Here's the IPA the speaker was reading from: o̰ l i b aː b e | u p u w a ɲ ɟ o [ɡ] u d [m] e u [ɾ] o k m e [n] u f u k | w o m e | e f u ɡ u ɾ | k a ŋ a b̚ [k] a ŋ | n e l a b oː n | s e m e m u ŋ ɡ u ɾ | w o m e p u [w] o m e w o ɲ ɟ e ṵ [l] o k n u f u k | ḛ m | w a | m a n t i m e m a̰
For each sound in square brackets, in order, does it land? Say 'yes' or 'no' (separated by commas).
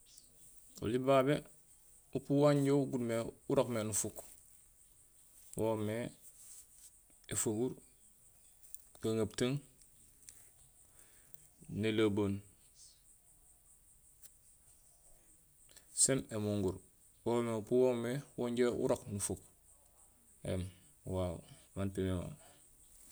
yes, yes, yes, yes, no, yes, no